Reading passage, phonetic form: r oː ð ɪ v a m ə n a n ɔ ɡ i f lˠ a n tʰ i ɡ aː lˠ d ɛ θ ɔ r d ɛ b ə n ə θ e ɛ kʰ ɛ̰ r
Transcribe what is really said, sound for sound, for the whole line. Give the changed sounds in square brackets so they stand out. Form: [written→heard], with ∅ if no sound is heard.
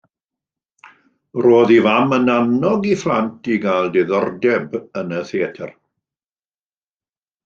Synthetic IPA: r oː ð [ɪ→i] v a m ə n a n ɔ ɡ i f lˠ a n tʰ i ɡ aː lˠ d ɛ [θ→ð] ɔ r d ɛ b ə n ə θ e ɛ [kʰ→tʰ] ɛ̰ r